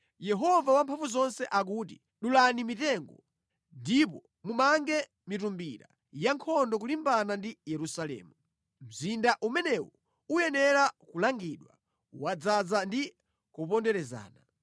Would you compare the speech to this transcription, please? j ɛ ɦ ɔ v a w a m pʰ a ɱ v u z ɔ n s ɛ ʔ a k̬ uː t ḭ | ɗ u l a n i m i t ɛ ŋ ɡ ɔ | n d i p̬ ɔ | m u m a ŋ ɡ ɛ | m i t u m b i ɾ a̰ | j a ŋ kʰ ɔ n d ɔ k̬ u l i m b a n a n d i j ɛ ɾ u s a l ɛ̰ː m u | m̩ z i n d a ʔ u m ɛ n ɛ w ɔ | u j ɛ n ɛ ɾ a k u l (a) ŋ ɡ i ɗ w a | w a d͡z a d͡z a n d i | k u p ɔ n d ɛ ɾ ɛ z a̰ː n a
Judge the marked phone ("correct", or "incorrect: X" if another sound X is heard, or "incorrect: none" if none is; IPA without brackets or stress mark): correct